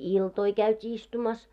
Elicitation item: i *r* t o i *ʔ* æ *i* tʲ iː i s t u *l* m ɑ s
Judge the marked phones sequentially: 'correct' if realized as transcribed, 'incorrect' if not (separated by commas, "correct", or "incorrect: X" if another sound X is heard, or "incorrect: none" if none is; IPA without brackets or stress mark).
incorrect: l, incorrect: k, incorrect: y, incorrect: none